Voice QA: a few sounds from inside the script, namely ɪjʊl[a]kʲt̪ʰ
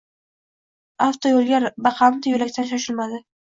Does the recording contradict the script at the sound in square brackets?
no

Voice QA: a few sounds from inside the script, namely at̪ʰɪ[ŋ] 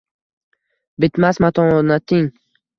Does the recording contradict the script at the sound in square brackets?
no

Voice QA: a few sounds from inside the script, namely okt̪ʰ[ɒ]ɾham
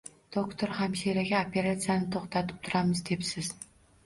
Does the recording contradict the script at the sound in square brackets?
yes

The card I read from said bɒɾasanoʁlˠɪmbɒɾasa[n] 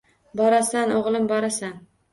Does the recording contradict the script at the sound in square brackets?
no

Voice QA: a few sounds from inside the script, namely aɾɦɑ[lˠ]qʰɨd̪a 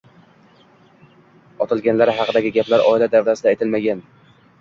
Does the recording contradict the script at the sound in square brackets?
yes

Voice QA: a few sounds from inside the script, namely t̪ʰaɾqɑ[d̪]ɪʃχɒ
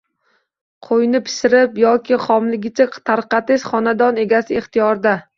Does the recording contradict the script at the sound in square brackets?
yes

